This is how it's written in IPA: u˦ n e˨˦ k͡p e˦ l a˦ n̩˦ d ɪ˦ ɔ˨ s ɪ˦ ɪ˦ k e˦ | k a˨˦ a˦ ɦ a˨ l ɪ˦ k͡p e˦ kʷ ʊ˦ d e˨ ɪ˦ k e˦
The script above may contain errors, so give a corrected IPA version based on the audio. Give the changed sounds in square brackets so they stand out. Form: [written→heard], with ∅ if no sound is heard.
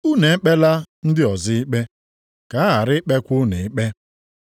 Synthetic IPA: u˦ n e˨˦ k͡p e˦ l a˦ n̩˦ d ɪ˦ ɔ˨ [s→z] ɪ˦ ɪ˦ [k→k͡p] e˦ | k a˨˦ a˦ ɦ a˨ [l→ɾ] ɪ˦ k͡p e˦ kʷ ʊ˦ [d→n] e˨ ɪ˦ [k→k͡p] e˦